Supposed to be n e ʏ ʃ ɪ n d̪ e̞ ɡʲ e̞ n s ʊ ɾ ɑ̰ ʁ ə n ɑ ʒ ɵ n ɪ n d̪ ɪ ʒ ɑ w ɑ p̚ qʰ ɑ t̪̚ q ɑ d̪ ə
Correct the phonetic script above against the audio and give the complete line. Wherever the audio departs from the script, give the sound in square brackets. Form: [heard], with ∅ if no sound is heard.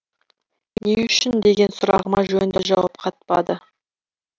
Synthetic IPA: n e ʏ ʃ ɪ n d̪ e̞ ɡʲ e̞ n s ʊ ɾ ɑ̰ ʁ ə [m] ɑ ʒ ɵ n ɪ n d̪ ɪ ʒ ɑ w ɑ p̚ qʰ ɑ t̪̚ [p] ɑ d̪ ə